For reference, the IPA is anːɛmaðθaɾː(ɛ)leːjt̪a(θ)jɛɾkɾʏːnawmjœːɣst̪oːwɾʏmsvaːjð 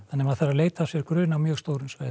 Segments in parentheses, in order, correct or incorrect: incorrect, incorrect

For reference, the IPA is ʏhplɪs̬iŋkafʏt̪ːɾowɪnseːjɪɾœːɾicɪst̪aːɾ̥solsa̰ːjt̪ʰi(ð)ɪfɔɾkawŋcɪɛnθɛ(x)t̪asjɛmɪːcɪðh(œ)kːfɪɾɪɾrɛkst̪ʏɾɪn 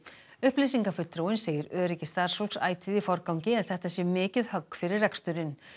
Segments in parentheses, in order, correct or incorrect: correct, incorrect, correct

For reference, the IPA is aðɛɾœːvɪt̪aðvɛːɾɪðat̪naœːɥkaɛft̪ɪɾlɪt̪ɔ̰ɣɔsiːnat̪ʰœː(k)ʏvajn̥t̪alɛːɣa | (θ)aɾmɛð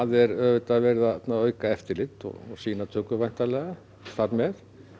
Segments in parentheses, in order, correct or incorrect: correct, correct

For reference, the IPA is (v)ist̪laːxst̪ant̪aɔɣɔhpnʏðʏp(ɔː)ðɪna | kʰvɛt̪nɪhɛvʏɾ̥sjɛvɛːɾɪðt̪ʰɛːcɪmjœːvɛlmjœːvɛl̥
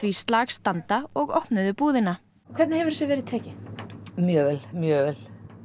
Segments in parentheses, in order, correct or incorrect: correct, incorrect

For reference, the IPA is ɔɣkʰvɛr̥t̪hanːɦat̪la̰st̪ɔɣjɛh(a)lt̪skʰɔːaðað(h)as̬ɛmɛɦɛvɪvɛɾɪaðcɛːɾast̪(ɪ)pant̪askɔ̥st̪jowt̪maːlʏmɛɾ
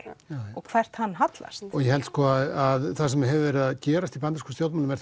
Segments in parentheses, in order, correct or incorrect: incorrect, incorrect, incorrect

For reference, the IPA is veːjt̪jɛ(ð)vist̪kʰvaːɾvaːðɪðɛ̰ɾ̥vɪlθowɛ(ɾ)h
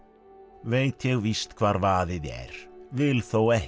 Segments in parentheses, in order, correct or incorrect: incorrect, incorrect

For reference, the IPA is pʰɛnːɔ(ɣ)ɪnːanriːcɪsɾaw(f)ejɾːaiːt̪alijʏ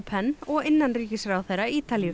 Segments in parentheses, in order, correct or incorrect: correct, incorrect

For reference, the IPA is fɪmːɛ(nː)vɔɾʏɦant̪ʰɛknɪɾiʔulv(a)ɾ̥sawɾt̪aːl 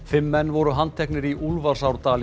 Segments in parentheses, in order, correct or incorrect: correct, correct

